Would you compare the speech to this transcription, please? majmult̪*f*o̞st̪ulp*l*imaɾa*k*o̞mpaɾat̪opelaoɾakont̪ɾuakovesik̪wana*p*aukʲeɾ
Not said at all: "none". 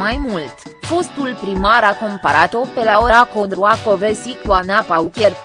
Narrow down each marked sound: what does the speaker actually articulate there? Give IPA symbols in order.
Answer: f, ɾ, k, p

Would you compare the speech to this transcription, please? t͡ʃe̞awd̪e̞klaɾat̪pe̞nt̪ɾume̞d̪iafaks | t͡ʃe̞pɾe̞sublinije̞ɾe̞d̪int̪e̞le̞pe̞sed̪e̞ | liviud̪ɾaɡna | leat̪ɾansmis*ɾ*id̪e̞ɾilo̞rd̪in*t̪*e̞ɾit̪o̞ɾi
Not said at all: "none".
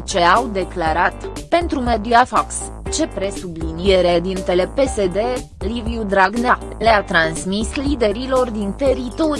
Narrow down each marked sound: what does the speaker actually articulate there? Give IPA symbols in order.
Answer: l, t̪

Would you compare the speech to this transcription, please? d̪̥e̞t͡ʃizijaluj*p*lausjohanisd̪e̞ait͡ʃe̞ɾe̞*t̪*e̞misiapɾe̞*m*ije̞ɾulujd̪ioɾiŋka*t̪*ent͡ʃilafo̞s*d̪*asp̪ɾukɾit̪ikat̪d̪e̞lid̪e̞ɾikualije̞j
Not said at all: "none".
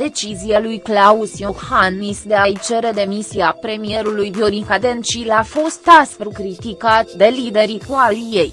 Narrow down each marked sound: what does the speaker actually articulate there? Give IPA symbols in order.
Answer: k, d̪, m, d̪, t̪

